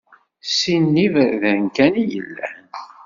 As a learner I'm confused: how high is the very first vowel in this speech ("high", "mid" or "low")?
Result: high